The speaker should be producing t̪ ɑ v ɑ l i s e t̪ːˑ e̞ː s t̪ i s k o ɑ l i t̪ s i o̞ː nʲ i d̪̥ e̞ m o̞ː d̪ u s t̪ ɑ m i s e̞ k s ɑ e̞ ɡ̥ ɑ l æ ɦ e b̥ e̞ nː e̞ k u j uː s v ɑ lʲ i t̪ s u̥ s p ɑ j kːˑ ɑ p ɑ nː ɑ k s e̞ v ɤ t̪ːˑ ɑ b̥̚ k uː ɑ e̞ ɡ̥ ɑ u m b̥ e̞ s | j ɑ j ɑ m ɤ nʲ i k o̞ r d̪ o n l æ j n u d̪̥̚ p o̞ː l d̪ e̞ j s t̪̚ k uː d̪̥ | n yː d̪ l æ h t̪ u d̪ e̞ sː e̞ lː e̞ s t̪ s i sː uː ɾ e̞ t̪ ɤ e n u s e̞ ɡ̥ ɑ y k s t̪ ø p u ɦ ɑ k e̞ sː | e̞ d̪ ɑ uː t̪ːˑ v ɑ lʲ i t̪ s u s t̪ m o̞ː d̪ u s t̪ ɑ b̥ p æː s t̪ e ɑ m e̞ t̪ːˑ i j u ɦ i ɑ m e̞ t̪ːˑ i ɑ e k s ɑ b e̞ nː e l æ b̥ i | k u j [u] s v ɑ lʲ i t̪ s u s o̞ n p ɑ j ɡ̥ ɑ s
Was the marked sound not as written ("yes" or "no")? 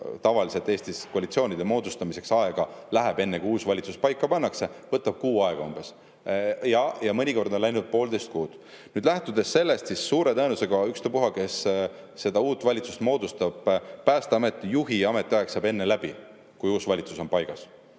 yes